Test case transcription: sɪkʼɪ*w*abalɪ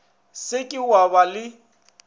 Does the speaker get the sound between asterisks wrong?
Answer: no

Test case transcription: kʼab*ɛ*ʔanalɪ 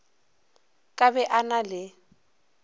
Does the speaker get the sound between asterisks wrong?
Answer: no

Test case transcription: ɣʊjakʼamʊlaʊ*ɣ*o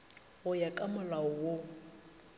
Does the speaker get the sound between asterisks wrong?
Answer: yes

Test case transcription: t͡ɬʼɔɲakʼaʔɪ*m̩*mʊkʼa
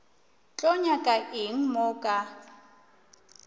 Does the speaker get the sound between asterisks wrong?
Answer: yes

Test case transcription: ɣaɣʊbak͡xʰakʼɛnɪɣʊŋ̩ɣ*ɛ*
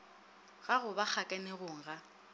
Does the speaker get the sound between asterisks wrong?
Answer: yes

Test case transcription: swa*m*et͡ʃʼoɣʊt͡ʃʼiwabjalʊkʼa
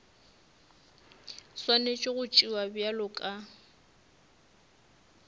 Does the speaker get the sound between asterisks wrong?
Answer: yes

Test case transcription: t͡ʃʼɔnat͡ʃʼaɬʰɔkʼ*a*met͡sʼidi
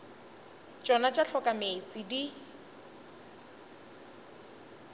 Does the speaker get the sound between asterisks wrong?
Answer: no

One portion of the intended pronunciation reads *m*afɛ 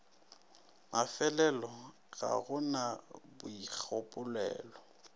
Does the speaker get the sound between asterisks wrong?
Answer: no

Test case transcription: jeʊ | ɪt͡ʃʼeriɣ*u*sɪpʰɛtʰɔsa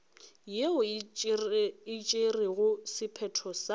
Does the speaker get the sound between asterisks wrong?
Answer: yes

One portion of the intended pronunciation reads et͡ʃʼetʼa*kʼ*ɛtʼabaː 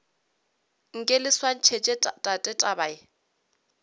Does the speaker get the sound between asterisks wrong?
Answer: yes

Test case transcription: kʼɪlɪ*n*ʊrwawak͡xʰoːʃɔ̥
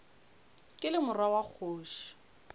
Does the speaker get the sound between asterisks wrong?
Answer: yes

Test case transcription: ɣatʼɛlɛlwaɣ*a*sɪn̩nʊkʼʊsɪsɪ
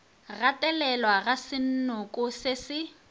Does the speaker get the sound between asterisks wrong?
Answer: no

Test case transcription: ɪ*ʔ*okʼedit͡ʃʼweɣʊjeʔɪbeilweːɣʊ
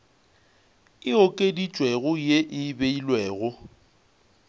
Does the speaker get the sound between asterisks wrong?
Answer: yes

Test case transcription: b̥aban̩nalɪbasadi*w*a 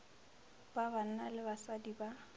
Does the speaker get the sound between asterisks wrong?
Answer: yes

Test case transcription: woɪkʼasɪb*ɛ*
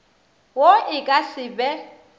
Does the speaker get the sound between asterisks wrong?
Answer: no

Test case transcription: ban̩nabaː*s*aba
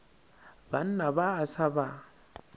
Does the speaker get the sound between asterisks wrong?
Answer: no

